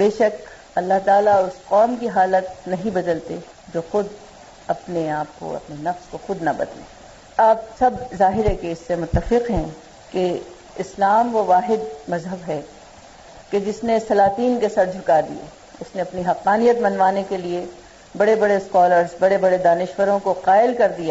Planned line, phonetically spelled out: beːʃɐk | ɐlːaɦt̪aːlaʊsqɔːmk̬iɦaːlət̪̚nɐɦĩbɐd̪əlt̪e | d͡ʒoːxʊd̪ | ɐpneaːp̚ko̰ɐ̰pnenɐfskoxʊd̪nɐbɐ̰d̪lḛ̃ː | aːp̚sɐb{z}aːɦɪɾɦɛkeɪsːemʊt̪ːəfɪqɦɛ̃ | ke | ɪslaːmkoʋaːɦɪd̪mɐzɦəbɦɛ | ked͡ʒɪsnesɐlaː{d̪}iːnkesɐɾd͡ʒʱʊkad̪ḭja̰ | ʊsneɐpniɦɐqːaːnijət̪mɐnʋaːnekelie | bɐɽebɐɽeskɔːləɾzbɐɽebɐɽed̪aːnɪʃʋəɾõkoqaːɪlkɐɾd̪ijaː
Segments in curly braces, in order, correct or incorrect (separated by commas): correct, incorrect